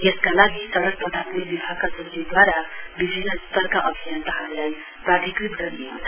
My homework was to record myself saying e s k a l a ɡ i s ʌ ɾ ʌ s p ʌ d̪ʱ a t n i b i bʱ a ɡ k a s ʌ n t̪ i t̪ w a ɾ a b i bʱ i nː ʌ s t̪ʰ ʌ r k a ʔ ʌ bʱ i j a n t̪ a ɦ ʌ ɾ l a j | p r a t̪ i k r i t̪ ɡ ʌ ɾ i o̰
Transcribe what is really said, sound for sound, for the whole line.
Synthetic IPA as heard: e s k a l a ɡ i s ʌ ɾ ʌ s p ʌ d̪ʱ a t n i b i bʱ a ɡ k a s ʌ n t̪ i d̪ w a ɾ a b i bʱ i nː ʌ s t̪ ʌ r k a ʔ ʌ bʱ i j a n t̪ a ɦ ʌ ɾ l a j | p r a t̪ i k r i t̪ ɡ ʌ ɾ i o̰

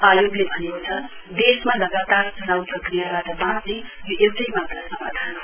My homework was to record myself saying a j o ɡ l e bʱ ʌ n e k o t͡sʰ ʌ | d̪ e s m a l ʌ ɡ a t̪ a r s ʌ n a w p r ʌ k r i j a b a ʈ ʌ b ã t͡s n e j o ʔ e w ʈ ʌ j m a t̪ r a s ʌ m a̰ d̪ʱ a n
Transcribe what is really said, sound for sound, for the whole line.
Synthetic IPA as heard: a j o ɡ l e bʱ ʌ n e k o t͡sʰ ʌ | d̪ e s m a l ʌ ɡ a t̪ a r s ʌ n a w p r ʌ k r i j a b a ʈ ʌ b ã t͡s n e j o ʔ e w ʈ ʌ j m a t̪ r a s ʌ m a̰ d̪ʱ a n

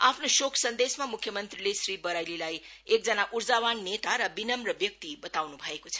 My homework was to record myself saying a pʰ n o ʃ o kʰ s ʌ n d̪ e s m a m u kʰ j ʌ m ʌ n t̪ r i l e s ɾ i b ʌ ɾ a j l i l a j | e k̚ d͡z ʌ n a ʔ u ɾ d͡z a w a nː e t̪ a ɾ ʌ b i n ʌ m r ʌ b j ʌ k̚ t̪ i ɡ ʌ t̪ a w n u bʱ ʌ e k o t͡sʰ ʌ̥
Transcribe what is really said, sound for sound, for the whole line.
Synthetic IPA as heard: a pʰ n o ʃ o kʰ s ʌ n d̪ e s m a m u kʰ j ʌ m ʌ n t̪ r i l e s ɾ i b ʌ ɾ a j l i l a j | e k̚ d͡z ʌ n a ʔ u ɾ d͡z a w a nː e t̪ a ɾ ʌ b i n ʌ m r ʌ b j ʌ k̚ t̪ i b ʌ t̪ a w n u bʱ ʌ e k o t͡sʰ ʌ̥

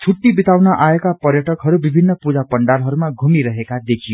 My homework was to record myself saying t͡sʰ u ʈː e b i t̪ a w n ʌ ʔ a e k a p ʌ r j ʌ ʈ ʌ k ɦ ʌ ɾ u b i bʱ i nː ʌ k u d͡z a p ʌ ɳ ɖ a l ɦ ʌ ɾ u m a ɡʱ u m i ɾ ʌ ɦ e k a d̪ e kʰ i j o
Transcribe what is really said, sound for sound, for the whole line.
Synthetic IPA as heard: t͡sʰ u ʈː i b i t̪ a w n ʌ ʔ a e k a p ʌ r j ʌ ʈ ʌ k ɦ ʌ ɾ u b i bʱ i nː ʌ p u d͡z a p ʌ ɳ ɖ a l ɦ ʌ ɾ u m a ɡʱ u m i ɾ ʌ ɦ e k a d̪ e kʰ i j o

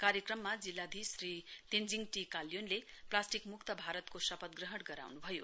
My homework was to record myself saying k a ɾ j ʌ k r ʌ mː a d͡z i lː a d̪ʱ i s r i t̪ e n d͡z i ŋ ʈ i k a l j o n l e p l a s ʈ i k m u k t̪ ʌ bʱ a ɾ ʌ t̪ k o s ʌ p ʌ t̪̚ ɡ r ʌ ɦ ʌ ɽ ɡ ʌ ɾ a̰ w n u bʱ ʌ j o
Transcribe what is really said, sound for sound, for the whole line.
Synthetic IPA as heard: k a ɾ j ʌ k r ʌ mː a d͡z i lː a d̪ʱ i s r i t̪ e n d͡z i ŋ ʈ i k a l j o n l e p l a s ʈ i k m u k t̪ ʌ bʱ a ɾ ʌ t̪ k o s ʌ p ʌ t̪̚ ɡ r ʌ ɦ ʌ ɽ ɡ ʌ ɾ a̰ w n u bʱ ʌ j o

